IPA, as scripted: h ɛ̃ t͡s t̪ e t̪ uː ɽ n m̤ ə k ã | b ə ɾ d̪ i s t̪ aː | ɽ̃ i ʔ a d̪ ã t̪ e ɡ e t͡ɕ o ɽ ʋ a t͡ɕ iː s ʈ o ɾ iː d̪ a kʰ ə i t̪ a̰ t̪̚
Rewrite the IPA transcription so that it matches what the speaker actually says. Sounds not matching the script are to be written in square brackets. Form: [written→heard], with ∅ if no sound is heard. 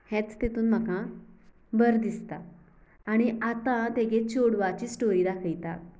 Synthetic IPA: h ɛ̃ t͡s t̪ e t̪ uː [ɽ→∅] n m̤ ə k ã | b ə ɾ d̪ i s t̪ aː | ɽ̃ i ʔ a [d̪→t̪] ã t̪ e ɡ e t͡ɕ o ɽ ʋ a t͡ɕ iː s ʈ o ɾ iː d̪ a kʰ ə [i→j] t̪ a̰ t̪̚